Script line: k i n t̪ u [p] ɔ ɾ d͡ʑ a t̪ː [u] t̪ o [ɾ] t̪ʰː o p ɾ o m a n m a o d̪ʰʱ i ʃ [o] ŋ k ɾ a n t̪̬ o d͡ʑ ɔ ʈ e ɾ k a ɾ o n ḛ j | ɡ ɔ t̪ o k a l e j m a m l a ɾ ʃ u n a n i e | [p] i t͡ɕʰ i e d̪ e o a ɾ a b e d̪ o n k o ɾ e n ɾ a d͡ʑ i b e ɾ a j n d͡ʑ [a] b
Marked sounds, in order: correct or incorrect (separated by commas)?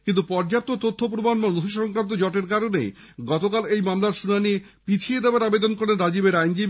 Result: correct, incorrect, incorrect, incorrect, correct, incorrect